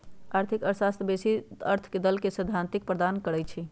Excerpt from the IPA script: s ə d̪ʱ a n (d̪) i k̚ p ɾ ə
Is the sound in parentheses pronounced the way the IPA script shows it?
no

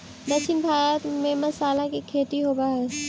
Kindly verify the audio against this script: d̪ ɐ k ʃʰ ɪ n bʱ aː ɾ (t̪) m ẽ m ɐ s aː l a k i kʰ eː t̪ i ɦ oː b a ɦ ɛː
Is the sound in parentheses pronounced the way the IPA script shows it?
yes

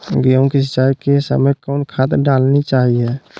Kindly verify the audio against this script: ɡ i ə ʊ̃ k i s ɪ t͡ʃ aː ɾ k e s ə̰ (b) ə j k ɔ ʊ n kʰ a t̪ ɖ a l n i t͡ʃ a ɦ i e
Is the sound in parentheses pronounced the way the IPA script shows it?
no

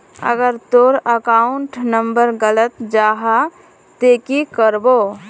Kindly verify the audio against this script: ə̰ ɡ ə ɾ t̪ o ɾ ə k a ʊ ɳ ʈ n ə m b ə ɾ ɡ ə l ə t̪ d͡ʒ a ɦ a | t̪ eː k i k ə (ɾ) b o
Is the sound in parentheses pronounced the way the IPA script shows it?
yes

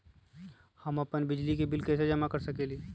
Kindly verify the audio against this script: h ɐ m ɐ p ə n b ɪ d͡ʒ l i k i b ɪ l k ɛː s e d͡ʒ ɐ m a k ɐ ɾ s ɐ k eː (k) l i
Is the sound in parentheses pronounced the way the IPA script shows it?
no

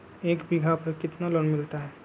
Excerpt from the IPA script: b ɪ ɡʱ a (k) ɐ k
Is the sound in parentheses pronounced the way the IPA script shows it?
no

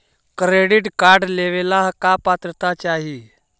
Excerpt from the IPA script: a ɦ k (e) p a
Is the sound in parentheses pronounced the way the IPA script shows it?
no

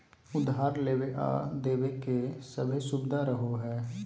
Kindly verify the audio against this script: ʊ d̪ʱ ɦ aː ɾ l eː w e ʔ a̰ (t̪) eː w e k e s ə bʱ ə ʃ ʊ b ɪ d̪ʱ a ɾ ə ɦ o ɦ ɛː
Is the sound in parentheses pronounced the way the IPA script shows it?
no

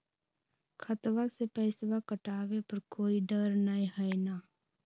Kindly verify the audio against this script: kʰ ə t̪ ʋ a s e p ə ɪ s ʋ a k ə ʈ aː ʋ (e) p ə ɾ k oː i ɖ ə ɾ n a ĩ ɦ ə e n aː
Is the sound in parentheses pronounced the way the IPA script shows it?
yes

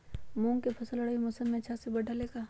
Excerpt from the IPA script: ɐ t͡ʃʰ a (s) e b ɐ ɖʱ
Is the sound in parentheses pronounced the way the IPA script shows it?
yes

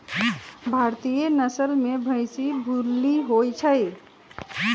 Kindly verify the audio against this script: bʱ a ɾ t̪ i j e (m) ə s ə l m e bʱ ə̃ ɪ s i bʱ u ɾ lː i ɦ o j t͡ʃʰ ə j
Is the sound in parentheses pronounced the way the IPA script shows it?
no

